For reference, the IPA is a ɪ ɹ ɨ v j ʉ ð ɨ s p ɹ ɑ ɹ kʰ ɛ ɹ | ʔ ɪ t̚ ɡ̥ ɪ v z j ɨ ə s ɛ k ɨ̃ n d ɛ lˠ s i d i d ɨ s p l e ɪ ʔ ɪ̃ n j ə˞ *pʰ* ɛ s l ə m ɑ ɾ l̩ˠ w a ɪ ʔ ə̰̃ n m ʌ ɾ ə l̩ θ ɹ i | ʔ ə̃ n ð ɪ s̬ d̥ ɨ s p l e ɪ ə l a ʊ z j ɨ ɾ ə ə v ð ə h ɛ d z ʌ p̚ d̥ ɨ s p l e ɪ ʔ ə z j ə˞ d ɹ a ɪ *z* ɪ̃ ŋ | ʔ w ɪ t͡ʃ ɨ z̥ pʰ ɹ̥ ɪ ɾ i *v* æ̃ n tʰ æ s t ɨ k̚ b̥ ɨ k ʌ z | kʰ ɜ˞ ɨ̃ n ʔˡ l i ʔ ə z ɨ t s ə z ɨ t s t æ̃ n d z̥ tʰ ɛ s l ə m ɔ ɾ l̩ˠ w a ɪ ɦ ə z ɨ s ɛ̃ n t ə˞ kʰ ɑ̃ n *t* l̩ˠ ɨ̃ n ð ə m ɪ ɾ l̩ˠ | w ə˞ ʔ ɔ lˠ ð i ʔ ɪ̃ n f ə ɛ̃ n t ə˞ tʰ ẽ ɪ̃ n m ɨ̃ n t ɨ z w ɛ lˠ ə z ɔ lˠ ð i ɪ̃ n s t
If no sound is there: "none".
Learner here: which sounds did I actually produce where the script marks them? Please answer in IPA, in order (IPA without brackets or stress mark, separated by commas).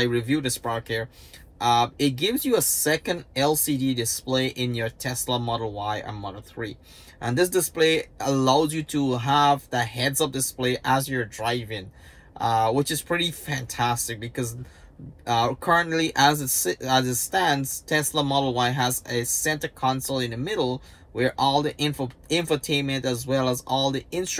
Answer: tʰ, v, f, s